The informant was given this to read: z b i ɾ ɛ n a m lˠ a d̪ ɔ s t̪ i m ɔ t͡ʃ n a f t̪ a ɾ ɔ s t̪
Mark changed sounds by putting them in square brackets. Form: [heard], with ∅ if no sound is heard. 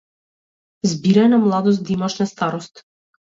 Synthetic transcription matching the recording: z b i ɾ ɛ n a m lˠ a d̪ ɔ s [d̪] i m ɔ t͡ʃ n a [s] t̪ a ɾ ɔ s t̪

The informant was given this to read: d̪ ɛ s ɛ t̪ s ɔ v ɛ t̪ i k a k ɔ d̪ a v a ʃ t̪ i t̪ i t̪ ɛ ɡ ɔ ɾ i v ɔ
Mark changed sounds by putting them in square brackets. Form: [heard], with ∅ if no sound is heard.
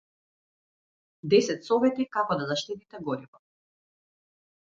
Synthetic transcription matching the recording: d̪ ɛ s ɛ t̪ s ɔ v ɛ t̪ i k a k ɔ d̪ a [z] a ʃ t̪ i t̪ i t̪ ɛ ɡ ɔ ɾ i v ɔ

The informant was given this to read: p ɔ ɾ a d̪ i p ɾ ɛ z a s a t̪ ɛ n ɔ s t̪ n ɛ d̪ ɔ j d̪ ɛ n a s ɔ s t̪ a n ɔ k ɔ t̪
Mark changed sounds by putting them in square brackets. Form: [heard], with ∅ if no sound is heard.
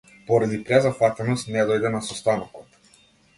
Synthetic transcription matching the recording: p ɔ ɾ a d̪ i p ɾ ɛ z a [f] a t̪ ɛ n ɔ s t̪ n ɛ d̪ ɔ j d̪ ɛ n a s ɔ s t̪ a n ɔ k ɔ t̪

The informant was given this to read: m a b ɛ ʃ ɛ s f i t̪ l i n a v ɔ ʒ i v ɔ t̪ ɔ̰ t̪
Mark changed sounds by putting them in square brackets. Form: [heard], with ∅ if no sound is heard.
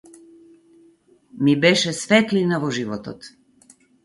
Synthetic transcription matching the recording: m [i] b ɛ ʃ ɛ s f [ɛ] t̪ l i n a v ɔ ʒ i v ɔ t̪ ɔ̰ t̪

